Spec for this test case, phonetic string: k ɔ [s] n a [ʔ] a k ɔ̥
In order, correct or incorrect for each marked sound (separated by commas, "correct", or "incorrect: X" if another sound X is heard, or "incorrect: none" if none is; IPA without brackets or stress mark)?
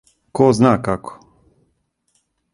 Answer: incorrect: z, incorrect: k